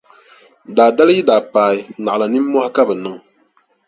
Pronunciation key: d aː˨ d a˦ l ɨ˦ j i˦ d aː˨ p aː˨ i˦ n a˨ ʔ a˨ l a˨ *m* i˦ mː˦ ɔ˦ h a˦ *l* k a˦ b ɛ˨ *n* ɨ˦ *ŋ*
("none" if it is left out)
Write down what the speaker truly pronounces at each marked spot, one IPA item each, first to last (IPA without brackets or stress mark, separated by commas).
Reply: n, none, n, ŋ